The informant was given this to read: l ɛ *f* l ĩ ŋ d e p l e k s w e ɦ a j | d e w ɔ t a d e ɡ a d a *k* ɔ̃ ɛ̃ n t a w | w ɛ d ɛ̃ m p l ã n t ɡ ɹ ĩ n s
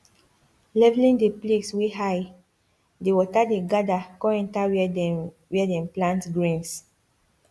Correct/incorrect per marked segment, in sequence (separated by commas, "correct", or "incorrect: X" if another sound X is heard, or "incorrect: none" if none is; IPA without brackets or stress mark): incorrect: v, correct